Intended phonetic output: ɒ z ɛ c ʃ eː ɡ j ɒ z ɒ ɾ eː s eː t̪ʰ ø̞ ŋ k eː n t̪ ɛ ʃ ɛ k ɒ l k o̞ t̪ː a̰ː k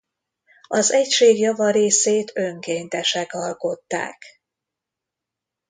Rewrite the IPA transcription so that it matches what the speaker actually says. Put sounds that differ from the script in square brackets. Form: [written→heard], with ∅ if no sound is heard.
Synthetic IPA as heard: ɒ z ɛ c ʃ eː ɡ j ɒ [z→v] ɒ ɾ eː s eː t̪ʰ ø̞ ŋ k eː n t̪ ɛ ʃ ɛ k ɒ l k o̞ t̪ː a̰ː k